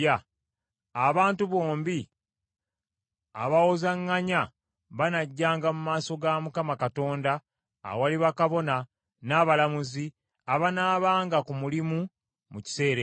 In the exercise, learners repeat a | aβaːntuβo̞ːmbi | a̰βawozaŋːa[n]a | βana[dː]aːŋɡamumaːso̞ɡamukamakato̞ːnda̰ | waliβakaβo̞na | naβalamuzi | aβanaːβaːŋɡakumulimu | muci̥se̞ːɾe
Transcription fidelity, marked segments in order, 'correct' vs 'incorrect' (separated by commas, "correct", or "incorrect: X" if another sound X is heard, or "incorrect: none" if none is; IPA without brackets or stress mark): incorrect: ɲ, incorrect: ɟː